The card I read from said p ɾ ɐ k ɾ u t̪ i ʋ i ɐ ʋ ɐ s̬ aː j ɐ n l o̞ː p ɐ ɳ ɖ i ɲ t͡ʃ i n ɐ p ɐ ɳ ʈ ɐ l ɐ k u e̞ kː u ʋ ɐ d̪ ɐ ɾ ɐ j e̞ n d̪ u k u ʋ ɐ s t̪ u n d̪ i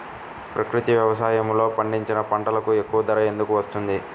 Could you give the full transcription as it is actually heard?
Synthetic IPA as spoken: p ɾ ɐ k ɾ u t̪ i ʋ j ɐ ʋ ɐ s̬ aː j ɐ m l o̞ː p ɐ ɳ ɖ i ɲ t͡ʃ i n ɐ p ɐ ɳ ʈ ɐ l ɐ k u e̞ kː u ʋ ɐ d̪ ɐ ɾ ɐ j e̞ n d̪ u k u ʋ ɐ s t̪ u n d̪ i